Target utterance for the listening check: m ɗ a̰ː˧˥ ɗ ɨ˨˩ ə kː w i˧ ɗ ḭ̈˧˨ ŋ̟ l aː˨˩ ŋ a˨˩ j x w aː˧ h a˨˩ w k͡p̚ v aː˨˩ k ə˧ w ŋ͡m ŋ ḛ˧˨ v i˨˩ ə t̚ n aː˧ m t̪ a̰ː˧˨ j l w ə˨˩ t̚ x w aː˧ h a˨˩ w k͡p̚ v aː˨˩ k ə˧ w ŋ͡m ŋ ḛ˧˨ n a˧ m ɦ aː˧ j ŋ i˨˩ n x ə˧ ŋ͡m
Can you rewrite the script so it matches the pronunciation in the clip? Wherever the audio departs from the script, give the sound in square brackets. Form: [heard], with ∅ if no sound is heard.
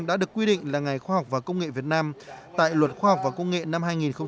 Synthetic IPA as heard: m ɗ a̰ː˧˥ ɗ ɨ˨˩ ə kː w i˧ ɗ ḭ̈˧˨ ŋ̟ l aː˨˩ ŋ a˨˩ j x w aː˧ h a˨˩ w k͡p̚ v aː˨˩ k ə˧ w ŋ͡m ŋ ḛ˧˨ v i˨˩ ə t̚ n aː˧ m t̪ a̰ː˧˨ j l w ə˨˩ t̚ x w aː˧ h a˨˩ w k͡p̚ v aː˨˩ k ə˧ w ŋ͡m ŋ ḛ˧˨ n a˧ m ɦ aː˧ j ŋ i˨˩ n x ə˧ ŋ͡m